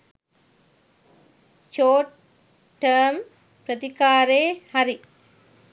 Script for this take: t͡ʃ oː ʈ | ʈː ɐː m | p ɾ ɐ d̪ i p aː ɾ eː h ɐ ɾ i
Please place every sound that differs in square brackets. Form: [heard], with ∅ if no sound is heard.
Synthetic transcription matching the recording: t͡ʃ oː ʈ | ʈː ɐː m | p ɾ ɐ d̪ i [k] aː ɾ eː h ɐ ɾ i

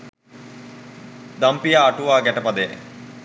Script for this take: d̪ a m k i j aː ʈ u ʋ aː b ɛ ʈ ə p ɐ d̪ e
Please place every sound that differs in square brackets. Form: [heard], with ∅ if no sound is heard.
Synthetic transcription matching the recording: d̪ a m [p] i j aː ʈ u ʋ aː [ɡ] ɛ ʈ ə p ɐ d̪ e

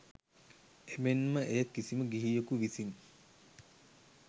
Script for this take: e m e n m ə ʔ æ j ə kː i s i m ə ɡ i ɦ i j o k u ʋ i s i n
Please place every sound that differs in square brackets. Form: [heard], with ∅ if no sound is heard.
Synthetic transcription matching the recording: e m e n m ə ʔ [e] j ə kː i s i m ə ɡ i ɦ i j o k u ʋ i s i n

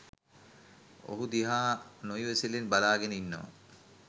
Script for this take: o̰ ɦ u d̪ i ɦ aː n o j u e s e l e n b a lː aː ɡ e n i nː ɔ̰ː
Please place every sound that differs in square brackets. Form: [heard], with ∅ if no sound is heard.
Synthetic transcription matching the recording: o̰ ɦ u d̪ i ɦ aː n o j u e s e l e n b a [l] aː ɡ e n i nː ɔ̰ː

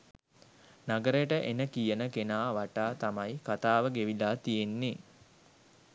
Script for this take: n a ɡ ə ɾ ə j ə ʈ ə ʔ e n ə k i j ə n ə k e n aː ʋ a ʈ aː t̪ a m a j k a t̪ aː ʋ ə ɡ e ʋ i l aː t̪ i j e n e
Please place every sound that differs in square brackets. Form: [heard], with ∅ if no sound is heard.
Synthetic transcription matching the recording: n a ɡ ə ɾ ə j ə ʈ ə ʔ e n ə k i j ə n ə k e n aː ʋ a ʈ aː t̪ a m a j k a t̪ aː ʋ ə ɡ e ʋ i l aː t̪ i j e [nː] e

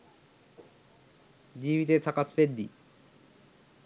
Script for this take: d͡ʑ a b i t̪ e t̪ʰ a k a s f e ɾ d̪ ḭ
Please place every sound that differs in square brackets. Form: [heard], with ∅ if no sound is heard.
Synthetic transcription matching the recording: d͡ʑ [i] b i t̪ e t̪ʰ a k a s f e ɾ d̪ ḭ

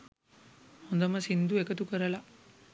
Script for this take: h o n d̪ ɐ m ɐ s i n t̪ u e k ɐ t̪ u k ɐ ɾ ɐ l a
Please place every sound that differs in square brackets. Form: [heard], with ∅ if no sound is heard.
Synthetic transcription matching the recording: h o n d̪ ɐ m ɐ s i n [d̪] u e k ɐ t̪ u k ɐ ɾ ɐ l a

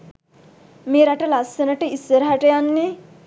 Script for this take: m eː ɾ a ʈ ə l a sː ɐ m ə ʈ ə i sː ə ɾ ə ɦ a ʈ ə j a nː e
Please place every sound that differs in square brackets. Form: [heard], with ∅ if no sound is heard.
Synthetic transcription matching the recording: m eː ɾ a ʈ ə l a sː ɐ [n] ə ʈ ə i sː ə ɾ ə ɦ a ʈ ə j a nː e

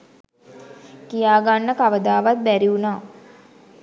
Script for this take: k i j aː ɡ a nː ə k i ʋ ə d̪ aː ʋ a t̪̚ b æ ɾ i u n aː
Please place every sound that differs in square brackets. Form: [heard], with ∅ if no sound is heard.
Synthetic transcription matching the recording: k i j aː ɡ a nː ə k [a] ʋ ə d̪ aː ʋ a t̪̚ b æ ɾ i u n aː

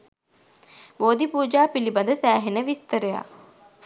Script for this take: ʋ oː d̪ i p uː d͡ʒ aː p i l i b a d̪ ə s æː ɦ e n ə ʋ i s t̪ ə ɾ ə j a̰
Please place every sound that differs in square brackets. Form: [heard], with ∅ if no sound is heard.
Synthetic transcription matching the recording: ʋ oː d̪ i p uː d͡ʒ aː p i l i b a d̪ ə s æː ɦ e n ə ʋ i s t̪ ə ɾ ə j a̰

